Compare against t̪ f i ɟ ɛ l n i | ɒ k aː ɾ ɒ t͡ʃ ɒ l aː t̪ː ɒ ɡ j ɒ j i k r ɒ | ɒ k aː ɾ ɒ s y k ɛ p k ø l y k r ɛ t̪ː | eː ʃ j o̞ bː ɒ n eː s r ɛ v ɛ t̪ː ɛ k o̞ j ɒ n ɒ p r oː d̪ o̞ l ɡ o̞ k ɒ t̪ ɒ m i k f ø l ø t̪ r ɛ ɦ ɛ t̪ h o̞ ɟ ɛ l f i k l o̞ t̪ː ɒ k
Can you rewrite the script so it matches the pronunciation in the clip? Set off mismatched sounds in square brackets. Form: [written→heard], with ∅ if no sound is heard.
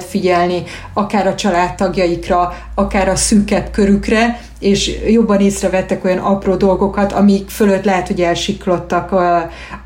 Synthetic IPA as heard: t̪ f i ɟ ɛ l n i | ɒ k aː ɾ ɒ t͡ʃ ɒ l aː t̪ː ɒ ɡ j ɒ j i k r ɒ | ɒ k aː ɾ ɒ s y k ɛ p k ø [l→ɾ] y k r ɛ [t̪ː→∅] | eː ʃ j o̞ bː ɒ n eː s r ɛ v ɛ t̪ː ɛ k o̞ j ɒ n ɒ p r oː d̪ o̞ l ɡ o̞ k ɒ t̪ ɒ m i k f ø l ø t̪ [r→l] ɛ ɦ ɛ t̪ h o̞ ɟ ɛ l [f→ʃ] i k l o̞ t̪ː ɒ k